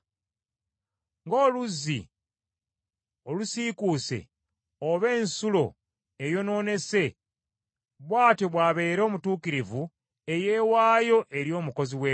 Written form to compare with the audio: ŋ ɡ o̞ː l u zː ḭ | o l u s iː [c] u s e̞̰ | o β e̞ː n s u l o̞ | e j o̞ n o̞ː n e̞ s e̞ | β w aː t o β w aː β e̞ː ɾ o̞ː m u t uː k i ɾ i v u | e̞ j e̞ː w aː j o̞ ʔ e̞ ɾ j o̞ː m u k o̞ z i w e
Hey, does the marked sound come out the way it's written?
no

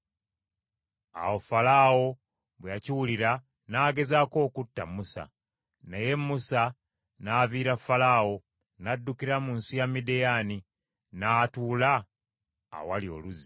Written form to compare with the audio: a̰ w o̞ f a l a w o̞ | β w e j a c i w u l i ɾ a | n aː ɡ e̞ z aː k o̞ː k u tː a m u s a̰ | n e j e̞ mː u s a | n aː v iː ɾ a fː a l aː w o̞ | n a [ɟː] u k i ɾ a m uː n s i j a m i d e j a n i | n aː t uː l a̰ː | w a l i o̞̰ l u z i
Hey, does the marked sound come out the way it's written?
no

